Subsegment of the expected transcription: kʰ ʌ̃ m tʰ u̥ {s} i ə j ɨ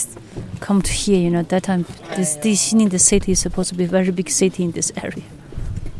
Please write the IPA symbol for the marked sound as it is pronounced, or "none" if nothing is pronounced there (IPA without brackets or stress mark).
h